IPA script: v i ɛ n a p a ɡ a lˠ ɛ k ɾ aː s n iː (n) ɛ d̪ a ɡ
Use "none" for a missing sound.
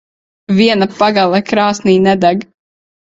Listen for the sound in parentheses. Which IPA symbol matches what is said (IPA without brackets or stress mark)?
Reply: n